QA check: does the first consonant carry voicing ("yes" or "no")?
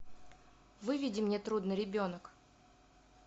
yes